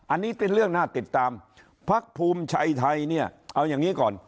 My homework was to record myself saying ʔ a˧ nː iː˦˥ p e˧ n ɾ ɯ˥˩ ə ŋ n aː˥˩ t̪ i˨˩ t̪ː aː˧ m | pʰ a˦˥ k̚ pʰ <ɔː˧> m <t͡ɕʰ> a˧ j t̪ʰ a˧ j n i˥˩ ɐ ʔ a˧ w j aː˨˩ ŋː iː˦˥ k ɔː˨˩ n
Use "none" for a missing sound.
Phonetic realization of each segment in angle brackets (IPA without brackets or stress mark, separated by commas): uː˧, t͡ɕʰ